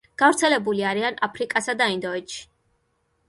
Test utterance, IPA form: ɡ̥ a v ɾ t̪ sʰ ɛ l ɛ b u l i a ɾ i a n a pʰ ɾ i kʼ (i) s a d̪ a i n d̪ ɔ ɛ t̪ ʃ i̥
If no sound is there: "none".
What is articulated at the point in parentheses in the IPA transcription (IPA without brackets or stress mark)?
a